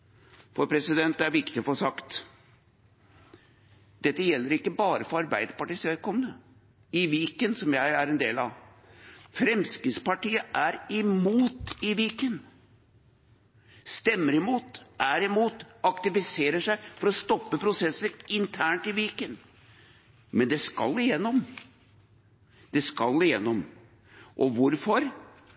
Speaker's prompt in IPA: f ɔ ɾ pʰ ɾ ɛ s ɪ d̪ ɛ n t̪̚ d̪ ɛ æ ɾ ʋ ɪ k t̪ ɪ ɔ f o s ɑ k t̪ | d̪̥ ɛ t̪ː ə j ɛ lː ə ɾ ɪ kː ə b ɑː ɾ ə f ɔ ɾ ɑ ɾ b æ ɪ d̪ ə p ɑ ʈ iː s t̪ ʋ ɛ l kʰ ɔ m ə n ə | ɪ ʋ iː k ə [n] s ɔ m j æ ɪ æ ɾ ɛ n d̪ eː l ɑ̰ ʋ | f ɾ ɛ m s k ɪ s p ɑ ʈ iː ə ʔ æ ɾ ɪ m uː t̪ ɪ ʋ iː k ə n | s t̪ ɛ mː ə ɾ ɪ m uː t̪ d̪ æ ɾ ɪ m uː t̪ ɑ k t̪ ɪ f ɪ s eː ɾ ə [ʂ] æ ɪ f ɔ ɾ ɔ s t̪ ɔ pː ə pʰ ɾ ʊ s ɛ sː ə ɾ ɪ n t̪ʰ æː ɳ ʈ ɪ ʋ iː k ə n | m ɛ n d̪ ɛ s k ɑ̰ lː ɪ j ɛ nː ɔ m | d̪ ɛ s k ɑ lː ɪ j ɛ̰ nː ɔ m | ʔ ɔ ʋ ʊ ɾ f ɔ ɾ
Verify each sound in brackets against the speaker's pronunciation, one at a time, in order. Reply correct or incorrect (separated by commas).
correct, correct